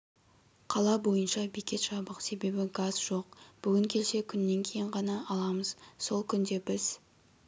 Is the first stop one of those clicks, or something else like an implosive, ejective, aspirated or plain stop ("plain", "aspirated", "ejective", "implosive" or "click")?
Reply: aspirated